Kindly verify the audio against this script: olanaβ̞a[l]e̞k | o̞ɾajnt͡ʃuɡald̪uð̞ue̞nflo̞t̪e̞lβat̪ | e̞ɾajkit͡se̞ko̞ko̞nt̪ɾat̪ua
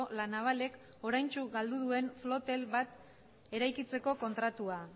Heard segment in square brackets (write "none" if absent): l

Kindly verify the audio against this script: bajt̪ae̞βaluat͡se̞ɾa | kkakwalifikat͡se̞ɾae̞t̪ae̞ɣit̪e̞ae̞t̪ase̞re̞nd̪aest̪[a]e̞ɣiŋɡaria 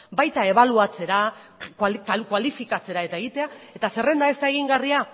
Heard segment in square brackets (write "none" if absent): a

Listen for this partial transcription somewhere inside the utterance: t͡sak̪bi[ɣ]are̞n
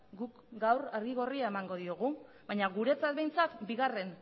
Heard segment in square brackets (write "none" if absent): ɣ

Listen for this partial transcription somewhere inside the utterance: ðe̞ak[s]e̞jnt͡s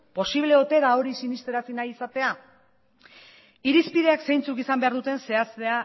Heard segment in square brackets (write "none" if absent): s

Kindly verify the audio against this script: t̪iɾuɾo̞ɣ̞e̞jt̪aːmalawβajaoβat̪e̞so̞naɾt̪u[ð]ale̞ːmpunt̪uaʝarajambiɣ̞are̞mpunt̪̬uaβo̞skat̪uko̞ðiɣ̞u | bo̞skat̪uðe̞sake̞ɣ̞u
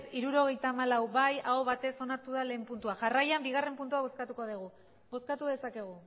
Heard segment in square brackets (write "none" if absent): ð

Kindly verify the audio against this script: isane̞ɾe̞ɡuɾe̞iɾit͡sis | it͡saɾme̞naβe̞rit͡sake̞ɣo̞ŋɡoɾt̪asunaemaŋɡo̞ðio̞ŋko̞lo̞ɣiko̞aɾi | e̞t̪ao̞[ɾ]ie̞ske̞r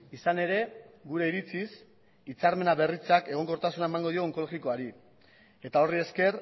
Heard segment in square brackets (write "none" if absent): r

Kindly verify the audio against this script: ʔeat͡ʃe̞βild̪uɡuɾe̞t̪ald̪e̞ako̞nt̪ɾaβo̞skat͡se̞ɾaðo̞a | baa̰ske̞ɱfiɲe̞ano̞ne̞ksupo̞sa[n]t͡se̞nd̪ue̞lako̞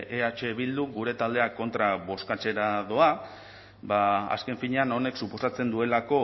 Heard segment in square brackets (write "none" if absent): none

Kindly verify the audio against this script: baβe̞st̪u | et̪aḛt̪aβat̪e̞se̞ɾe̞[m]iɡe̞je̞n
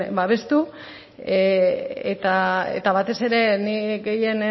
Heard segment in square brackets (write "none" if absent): n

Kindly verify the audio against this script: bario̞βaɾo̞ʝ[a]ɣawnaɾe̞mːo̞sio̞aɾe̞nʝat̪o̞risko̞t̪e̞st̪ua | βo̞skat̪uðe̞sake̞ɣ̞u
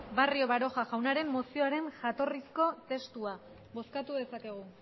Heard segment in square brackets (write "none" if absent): a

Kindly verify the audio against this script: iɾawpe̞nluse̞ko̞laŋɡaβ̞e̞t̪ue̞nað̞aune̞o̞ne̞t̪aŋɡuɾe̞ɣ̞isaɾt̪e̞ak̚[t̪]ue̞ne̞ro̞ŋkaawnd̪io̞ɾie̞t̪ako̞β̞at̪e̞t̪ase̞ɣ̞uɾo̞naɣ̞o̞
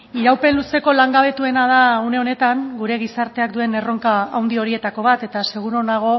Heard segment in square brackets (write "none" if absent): d̪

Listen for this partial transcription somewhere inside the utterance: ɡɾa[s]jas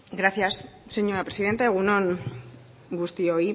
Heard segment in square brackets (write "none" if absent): θ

